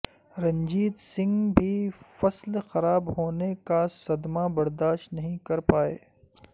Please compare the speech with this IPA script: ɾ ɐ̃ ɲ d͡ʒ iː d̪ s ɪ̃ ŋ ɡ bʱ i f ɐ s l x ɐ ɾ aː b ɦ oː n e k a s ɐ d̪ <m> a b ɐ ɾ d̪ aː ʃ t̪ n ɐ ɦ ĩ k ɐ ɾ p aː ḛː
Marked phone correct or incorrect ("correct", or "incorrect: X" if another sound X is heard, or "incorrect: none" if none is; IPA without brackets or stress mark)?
correct